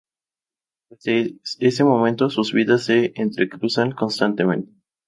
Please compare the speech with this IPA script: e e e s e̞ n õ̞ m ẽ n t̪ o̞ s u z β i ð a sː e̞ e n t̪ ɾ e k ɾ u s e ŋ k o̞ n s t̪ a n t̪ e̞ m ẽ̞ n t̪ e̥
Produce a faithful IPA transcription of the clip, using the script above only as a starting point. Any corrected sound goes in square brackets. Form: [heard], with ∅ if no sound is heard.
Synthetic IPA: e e e s e̞ [m] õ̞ m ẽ n t̪ o̞ s u z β i ð a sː e̞ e n t̪ ɾ e k ɾ u s [a] ŋ k o̞ n s t̪ a n t̪ e̞ m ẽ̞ n t̪ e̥